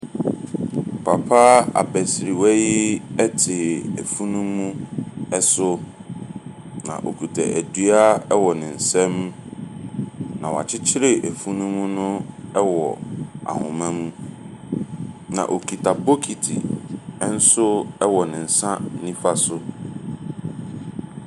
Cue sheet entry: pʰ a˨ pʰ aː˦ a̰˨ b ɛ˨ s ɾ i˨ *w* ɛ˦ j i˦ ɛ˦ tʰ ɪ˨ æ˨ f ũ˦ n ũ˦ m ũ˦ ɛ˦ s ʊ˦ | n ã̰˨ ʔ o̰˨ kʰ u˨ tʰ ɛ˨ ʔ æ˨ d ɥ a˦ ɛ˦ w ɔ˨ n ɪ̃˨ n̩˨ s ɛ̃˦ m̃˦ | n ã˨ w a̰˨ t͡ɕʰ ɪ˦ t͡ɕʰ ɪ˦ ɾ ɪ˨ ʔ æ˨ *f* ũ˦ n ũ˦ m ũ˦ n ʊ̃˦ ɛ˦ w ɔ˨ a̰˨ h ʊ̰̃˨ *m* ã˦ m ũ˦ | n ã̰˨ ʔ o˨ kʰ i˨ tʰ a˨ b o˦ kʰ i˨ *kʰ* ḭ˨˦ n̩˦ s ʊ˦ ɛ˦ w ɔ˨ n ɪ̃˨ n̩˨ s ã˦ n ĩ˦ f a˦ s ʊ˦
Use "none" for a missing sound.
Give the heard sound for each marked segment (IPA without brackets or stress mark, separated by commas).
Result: w, f, m, tʰ